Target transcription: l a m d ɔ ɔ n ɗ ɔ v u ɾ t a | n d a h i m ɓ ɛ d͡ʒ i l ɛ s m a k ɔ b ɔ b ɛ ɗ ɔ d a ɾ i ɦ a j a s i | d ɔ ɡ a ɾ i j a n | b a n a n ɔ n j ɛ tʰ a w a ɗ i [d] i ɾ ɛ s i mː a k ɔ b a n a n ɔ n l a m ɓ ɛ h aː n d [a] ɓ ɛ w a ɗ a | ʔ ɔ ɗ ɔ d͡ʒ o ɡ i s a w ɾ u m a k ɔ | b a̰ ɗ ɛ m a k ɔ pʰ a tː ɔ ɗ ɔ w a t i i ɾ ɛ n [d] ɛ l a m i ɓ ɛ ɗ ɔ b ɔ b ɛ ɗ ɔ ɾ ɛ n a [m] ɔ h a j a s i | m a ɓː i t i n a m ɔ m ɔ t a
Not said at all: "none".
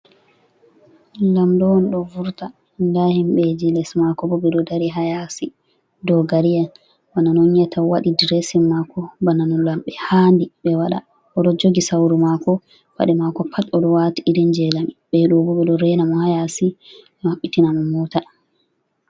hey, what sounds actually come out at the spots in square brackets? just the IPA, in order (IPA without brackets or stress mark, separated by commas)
d, i, d͡ʒ, m